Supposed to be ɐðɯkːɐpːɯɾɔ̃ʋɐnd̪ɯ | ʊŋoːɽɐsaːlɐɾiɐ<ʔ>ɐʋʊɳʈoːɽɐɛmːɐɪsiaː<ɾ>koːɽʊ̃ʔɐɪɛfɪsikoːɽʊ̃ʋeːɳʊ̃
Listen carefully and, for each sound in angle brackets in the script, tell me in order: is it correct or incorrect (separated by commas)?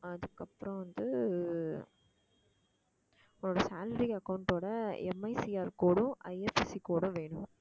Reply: incorrect, correct